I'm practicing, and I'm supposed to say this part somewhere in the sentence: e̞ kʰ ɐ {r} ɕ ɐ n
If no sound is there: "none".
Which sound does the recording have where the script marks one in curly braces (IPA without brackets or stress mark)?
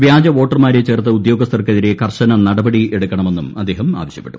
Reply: r